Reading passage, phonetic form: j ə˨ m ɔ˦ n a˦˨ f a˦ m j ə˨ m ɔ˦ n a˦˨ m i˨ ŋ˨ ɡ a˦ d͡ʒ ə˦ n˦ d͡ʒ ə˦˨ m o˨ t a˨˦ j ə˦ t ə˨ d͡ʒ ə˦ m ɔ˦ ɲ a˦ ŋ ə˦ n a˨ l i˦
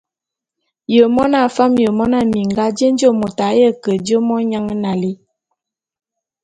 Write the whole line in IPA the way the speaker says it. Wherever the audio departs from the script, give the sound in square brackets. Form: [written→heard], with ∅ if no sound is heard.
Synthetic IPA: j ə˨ m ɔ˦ n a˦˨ f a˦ m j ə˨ m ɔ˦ n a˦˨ m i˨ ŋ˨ ɡ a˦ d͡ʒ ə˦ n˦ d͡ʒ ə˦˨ m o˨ t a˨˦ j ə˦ [t→k] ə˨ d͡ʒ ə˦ m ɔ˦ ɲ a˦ ŋ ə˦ n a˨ l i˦